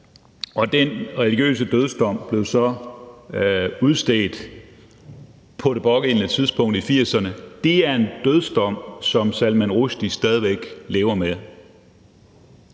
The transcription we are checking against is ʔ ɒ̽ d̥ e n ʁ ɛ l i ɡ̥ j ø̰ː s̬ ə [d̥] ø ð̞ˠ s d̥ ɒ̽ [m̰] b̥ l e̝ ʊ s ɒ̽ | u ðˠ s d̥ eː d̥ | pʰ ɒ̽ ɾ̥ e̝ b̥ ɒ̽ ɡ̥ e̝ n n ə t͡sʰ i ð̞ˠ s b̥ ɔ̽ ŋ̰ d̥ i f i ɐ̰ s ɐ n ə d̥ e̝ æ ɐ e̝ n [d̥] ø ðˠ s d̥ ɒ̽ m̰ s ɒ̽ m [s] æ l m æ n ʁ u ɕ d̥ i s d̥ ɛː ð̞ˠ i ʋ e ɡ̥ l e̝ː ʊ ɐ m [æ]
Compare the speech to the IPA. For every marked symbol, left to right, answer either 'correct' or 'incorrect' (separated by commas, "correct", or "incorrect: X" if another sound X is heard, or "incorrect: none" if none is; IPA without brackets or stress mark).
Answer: correct, correct, correct, correct, incorrect: e